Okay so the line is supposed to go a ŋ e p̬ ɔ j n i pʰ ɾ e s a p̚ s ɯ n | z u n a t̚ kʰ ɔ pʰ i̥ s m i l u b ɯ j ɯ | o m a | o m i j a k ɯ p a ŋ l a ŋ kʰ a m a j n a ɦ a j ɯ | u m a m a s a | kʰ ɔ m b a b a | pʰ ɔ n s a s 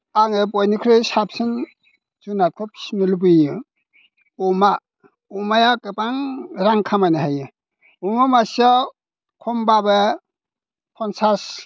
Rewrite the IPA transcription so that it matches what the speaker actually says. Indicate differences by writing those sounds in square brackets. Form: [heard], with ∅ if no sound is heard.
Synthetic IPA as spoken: a ŋ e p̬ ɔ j n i [kʰ] ɾ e s a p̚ s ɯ n | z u n a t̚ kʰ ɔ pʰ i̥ s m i l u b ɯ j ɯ | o m a | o m [a] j a k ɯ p a ŋ [ɾ] a ŋ kʰ a m a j n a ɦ a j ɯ | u m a m a s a | kʰ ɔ m b a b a | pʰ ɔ n s a s